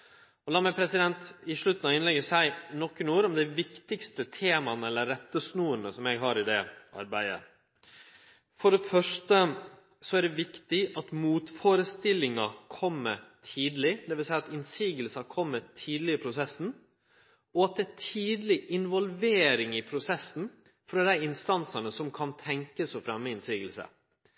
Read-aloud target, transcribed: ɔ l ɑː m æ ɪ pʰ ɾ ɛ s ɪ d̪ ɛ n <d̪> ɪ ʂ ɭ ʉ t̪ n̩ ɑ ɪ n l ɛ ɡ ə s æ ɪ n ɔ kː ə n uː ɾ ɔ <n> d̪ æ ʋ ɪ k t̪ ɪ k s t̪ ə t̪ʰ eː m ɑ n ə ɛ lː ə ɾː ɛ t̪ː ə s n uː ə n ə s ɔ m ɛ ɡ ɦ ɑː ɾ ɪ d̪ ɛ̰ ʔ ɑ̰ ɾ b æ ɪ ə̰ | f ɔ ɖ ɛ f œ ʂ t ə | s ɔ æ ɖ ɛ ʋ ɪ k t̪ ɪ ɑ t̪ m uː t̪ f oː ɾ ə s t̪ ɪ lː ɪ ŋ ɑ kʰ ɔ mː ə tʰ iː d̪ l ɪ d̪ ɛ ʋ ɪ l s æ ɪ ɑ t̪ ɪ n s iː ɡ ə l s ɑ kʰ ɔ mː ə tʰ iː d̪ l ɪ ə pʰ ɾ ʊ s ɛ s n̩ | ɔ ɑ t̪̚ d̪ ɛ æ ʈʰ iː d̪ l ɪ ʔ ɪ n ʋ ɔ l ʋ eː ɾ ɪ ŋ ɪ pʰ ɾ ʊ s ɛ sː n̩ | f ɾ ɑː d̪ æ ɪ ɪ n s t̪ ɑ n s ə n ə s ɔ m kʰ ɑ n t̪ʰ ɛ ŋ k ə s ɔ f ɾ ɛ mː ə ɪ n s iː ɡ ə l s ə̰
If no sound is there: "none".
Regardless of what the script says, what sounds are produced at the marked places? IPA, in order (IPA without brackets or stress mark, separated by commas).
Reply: t̪, m